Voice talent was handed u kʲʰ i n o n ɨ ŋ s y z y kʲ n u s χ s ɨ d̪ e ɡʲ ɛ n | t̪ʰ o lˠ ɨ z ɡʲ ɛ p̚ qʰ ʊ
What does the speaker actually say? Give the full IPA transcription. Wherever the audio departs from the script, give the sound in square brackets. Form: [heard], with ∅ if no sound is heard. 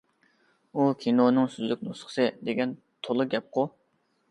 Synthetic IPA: u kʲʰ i n o n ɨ ŋ s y z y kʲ n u s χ s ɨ d̪ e ɡʲ ɛ n | t̪ʰ o lˠ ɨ [∅] ɡʲ ɛ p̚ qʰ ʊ

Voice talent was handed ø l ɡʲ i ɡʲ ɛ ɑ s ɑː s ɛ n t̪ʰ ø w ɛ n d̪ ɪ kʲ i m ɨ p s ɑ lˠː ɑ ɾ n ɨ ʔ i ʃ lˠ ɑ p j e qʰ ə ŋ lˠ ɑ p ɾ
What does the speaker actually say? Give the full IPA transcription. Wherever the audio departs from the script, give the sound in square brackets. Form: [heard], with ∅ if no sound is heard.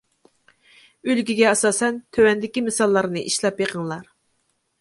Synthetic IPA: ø l ɡʲ i ɡʲ ɛ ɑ s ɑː s ɛ n t̪ʰ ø w ɛ n d̪ ɪ kʲ i m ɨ [∅] s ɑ lˠː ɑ ɾ n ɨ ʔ i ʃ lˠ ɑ p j e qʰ ə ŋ lˠ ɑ [∅] ɾ

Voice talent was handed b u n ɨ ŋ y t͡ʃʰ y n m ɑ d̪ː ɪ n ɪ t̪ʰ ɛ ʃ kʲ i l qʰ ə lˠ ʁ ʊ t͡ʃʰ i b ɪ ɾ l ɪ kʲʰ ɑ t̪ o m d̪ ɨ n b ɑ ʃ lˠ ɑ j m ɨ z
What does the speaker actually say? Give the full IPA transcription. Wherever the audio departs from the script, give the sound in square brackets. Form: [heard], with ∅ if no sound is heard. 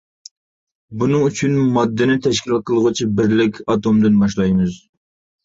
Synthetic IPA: b u n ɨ ŋ y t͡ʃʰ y n m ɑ d̪ː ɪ n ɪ t̪ʰ ɛ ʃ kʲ i l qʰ ə lˠ ʁ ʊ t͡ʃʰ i b ɪ ɾ l ɪ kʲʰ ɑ t̪ o m d̪ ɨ n b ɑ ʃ lˠ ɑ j m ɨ z

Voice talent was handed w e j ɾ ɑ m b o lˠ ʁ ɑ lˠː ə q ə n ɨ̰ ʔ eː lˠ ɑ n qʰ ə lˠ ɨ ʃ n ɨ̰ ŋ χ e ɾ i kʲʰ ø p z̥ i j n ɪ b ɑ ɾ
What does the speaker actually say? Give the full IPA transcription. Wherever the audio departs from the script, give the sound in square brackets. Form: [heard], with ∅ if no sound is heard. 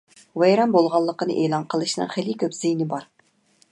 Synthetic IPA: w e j ɾ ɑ m b o lˠ ʁ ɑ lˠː ə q ə n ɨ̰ ʔ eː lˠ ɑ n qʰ ə lˠ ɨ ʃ n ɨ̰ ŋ χ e [l] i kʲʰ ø p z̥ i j n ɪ b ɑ ɾ

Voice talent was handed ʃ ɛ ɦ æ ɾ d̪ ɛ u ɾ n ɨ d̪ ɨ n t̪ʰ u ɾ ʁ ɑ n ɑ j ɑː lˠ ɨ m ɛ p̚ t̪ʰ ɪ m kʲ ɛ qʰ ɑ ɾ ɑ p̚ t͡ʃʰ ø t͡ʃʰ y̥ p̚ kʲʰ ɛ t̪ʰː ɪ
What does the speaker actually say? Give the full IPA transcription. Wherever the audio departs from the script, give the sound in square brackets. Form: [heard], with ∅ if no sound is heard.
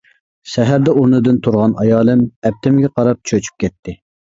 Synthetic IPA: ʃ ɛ ɦ æ ɾ d̪ ɛ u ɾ n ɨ d̪ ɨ n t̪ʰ u ɾ ʁ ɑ n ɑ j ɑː lˠ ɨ m ɛ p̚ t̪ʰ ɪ m [ɡʲ] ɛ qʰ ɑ ɾ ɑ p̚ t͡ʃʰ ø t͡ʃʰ y̥ p̚ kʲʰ ɛ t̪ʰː ɪ

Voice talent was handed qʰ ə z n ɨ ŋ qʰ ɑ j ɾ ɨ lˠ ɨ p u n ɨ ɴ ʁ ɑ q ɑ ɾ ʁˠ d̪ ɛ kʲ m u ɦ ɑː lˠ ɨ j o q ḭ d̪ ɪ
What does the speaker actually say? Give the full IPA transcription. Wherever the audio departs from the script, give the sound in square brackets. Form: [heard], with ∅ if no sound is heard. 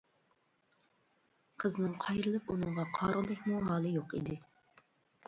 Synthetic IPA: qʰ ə z n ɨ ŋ qʰ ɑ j ɾ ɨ lˠ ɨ p u n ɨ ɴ ʁ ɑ [qʰ] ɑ ɾ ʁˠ d̪ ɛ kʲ m u ɦ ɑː lˠ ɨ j o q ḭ d̪ ɪ

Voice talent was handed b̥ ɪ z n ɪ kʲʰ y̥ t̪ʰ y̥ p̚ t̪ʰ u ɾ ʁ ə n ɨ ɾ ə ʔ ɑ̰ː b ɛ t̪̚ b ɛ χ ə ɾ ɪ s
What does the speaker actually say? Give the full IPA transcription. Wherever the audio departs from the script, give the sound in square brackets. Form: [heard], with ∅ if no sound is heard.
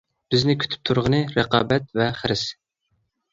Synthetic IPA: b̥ ɪ z n ɪ kʲʰ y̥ t̪ʰ y̥ p̚ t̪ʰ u ɾ ʁ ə n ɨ ɾ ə [q] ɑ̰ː b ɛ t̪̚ [v] ɛ χ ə ɾ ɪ s

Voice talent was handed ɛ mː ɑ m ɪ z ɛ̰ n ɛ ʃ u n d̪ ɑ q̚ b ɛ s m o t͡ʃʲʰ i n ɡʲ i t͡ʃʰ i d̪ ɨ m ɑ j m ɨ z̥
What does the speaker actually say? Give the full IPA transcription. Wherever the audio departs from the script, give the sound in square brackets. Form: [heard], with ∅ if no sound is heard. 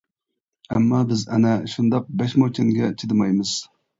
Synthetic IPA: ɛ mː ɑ [b] ɪ z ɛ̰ n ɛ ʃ u n d̪ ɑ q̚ b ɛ [ʃ] m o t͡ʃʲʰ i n ɡʲ [ɛ] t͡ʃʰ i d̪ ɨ m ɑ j m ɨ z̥

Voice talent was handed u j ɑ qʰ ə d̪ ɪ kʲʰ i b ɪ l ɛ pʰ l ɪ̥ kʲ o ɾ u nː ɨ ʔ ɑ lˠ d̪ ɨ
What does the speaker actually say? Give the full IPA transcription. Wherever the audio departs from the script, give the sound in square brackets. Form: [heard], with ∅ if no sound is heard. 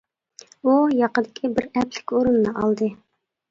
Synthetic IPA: u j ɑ [q] ə d̪ ɪ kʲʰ i b ɪ [ɾ] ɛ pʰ l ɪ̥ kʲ o ɾ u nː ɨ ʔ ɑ lˠ d̪ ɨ

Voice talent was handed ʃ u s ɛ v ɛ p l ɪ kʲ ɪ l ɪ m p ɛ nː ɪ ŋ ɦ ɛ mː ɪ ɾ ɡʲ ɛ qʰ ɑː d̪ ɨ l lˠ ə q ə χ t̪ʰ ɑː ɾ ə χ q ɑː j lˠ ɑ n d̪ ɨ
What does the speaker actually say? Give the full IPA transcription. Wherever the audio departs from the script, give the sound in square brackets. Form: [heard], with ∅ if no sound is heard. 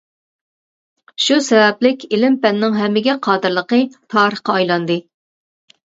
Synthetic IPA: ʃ u s ɛ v ɛ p l ɪ kʲ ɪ l ɪ m p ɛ nː ɪ ŋ ɦ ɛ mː ɪ [∅] ɡʲ ɛ qʰ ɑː d̪ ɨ [ɾ] lˠ ə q ə [∅] t̪ʰ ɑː ɾ ə χ q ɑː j lˠ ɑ n d̪ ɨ

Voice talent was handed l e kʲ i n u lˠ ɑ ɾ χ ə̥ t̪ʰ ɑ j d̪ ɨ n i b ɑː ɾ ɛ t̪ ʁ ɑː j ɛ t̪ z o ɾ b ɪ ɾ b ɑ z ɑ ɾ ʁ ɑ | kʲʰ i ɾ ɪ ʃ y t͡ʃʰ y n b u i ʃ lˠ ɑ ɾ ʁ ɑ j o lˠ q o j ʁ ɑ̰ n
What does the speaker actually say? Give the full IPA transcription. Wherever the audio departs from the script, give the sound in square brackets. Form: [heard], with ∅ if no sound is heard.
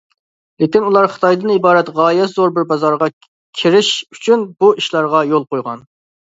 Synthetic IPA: l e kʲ i n u lˠ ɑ ɾ χ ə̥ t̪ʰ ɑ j d̪ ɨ n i b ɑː ɾ ɛ t̪ ʁ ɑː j ɛ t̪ z o ɾ b ɪ ɾ b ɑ z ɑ ɾ ʁ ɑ | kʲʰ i ɾ ɪ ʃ y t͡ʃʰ y n b u i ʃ lˠ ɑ ɾ ʁ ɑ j o lˠ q o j ʁ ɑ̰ n

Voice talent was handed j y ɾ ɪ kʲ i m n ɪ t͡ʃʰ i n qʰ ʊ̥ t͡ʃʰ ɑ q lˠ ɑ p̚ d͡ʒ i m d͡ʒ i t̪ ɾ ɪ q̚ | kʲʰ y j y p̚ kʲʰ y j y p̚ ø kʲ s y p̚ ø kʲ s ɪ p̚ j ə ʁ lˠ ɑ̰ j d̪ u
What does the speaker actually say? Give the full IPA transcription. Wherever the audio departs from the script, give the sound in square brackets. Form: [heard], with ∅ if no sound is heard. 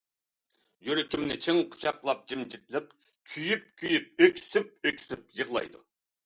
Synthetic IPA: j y ɾ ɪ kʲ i m n ɪ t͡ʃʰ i [ŋ] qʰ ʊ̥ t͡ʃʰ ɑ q lˠ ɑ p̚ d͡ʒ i m d͡ʒ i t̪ [l] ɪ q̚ | kʲʰ y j y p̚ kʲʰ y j y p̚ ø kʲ s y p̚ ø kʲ s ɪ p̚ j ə ʁ lˠ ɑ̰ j d̪ u

